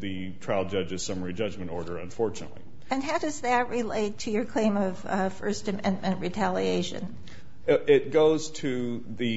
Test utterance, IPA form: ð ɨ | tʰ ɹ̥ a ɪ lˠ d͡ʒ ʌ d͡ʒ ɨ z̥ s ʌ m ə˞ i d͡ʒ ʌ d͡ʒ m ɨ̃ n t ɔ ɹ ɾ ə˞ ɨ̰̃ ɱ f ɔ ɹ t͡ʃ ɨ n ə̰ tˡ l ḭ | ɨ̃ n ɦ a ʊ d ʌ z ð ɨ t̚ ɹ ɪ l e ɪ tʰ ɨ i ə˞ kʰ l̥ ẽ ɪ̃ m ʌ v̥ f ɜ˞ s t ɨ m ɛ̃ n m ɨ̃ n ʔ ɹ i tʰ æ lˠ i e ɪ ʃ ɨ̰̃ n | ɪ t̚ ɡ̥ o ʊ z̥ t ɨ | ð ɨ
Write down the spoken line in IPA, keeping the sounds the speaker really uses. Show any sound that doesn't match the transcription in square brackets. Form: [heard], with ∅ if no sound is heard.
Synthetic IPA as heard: ð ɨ | tʰ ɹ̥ a ɪ lˠ d͡ʒ ʌ d͡ʒ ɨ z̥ s ʌ m ə˞ i d͡ʒ ʌ d͡ʒ m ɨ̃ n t ɔ ɹ ɾ ə˞ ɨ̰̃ ɱ f ɔ ɹ t͡ʃ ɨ n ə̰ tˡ l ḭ | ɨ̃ n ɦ a ʊ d ʌ z ð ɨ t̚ ɹ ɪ l e ɪ tʰ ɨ [j] ə˞ kʰ l̥ ẽ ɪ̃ m ʌ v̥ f ɜ˞ s t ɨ m ɛ̃ n m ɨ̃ n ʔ ɹ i tʰ æ lˠ i e ɪ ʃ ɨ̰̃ n | ɪ t̚ ɡ̥ o ʊ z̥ [tʰ] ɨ | ð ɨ